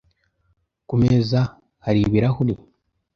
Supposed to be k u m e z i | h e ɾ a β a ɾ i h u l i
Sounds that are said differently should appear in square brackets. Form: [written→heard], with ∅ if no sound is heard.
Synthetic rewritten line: k u m e z [i→a] | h [e→a] ɾ [a→i] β [a→i] ɾ [i→a] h u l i